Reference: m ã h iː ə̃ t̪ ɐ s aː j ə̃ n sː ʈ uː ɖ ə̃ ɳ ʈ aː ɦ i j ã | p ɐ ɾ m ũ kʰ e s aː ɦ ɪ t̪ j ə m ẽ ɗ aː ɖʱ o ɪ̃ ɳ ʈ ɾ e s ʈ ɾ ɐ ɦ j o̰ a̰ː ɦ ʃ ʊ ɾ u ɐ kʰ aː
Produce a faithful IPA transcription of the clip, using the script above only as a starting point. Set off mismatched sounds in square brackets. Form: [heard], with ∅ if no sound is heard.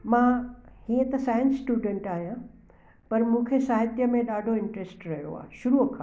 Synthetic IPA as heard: m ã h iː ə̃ t̪ ɐ s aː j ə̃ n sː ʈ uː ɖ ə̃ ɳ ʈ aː ɦ i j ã | p ɐ ɾ m ũ kʰ e s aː ɦ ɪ t̪ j ə m ẽ ɗ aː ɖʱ o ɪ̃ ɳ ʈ ɾ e s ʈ ɾ ɐ ɦ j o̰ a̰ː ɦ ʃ ʊ ɾ u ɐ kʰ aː

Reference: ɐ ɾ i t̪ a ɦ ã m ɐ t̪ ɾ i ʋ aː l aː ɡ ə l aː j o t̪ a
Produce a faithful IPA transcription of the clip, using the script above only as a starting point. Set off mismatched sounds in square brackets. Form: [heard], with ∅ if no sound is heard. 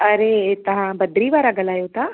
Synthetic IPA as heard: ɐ ɾ [e] t̪ [ɐ] ɦ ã [b] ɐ [d̪] ɾ i ʋ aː [ɾ] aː ɡ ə l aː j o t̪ a

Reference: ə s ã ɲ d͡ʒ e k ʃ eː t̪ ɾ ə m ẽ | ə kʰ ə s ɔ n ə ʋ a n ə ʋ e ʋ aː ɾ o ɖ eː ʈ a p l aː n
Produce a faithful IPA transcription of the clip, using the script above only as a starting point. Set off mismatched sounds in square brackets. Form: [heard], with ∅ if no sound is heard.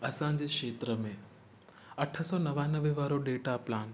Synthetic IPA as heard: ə s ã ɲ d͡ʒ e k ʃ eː t̪ ɾ ə m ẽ | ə [ʈʰ] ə s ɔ n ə ʋ a n ə ʋ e ʋ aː ɾ o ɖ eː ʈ a p l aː n

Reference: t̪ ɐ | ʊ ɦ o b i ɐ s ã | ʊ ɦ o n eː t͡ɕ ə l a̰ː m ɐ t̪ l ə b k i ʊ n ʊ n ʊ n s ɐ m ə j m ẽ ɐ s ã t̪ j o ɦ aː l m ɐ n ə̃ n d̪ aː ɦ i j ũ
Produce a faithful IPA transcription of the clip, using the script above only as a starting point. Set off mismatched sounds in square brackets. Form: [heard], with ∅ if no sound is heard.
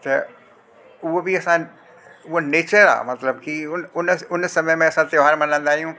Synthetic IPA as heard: t̪ ɐ | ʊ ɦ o b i ɐ s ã | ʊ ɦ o n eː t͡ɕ ə [ɾ] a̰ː m ɐ t̪ l ə b k i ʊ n ʊ n ʊ n s ɐ m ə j m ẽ ɐ s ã t̪ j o ɦ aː [ɾ] m ɐ n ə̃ n d̪ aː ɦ i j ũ

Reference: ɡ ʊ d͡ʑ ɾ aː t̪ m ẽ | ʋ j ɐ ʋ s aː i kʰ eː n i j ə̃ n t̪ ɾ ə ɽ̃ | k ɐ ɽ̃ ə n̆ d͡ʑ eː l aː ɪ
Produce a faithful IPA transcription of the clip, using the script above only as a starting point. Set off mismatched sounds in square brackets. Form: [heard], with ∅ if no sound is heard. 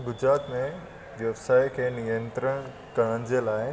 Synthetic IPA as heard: ɡ ʊ d͡ʑ ɾ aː t̪ m ẽ | ʋ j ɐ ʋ s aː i kʰ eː n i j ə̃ n t̪ ɾ ə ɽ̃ | k ɐ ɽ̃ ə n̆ d͡ʑ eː l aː ɪ

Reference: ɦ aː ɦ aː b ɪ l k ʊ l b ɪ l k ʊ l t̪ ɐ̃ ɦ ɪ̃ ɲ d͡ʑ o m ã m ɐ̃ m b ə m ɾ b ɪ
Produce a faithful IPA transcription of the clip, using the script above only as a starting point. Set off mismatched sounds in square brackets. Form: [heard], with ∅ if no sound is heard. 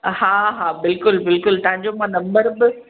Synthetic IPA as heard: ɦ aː ɦ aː b ɪ l k ʊ l b ɪ l k ʊ l t̪ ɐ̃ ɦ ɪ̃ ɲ d͡ʑ o m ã [n] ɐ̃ m b ə [∅] ɾ b ɪ

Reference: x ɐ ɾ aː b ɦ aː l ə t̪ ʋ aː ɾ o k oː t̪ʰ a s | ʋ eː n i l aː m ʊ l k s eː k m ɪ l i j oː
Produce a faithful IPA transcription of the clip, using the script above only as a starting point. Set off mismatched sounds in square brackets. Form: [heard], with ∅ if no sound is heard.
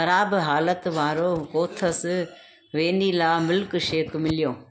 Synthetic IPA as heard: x ɐ ɾ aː b ɦ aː l ə t̪ ʋ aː ɾ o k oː t̪ʰ [ə] s | ʋ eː n i l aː m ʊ l k [ʃ] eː k m ɪ l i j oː

